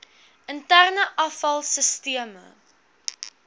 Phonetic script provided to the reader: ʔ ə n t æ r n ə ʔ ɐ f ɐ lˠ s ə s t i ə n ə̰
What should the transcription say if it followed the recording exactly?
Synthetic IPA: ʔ ə n t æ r n ə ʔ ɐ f ɐ lˠ s ə s t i ə m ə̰